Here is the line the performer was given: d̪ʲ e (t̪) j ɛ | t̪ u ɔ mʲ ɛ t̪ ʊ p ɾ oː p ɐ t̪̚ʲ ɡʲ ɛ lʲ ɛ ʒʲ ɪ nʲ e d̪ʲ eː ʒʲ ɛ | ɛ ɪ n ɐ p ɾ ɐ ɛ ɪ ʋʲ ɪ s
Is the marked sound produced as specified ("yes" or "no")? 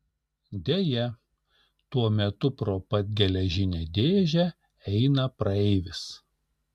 no